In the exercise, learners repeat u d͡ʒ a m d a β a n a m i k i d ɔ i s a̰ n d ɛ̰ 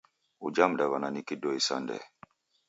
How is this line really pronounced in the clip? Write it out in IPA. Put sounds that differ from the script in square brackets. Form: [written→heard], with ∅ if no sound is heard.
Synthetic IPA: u d͡ʒ a m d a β a n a [m→n] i k i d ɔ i s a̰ n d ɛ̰